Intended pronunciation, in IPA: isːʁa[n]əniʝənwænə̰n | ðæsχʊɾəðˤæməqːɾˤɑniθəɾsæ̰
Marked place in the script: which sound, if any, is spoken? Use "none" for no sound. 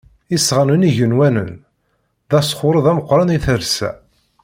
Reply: n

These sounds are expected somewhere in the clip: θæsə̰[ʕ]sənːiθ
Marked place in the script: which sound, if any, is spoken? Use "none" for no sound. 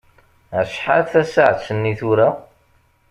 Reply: ʕ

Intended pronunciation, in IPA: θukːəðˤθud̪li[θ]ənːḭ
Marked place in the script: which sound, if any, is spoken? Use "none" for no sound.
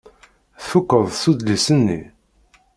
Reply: s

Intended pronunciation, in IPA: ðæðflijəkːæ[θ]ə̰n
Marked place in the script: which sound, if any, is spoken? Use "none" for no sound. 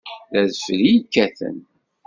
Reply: θ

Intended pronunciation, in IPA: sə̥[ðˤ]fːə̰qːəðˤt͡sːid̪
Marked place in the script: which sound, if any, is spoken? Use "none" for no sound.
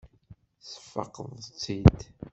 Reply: none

